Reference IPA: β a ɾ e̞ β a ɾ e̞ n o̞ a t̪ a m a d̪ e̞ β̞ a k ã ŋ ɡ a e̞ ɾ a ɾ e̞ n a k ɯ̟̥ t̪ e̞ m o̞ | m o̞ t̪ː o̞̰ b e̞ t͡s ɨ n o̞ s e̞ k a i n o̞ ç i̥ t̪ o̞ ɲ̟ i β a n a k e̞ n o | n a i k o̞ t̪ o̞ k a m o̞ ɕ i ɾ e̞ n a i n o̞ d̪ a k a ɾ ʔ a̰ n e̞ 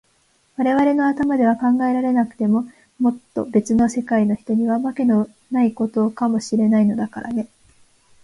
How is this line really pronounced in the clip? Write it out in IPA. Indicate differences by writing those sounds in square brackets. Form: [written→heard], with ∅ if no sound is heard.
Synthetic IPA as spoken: β a ɾ e̞ β a ɾ e̞ n o̞ a t̪ a m a d̪ e̞ β̞ a k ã ŋ ɡ a e̞ ɾ a ɾ e̞ n a k ɯ̟̥ t̪ e̞ m o̞ | m o̞ t̪ː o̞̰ b e̞ t͡s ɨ n o̞ s e̞ k a i n o̞ ç i̥ t̪ o̞ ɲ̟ i β a [n→m] a k e̞ n o | n a i k o̞ t̪ o̞ k a m o̞ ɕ i ɾ e̞ n a i n o̞ d̪ a k a ɾ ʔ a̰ n e̞